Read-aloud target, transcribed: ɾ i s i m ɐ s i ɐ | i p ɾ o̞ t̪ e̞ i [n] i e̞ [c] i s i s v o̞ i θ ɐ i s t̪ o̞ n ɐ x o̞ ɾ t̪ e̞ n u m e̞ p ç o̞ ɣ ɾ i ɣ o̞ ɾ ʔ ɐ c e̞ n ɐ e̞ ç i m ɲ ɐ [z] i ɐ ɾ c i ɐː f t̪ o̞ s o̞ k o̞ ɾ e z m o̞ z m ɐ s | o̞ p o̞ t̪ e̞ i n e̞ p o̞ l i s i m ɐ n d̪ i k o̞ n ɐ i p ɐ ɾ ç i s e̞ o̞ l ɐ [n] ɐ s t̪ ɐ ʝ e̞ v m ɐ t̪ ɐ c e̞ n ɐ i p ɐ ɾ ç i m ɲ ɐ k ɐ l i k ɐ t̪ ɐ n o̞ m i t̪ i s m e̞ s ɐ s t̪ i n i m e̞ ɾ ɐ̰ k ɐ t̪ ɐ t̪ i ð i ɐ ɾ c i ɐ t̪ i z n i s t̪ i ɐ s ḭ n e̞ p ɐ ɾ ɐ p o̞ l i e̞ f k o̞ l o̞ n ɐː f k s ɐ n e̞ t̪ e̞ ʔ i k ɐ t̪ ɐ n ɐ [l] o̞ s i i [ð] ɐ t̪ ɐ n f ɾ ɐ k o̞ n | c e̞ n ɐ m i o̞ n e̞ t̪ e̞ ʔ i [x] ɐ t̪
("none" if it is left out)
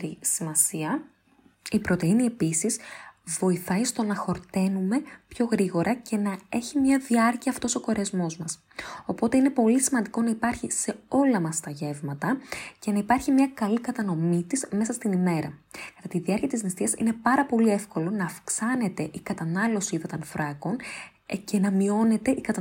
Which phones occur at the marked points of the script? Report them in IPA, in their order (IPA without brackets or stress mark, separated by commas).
n, p, ð, m, l, ð, k